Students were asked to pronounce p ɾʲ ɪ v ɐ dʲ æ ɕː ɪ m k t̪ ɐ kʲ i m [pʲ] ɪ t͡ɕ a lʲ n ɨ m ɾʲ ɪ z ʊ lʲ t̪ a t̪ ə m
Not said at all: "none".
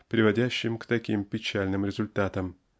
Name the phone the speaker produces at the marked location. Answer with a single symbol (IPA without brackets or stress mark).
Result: pʲ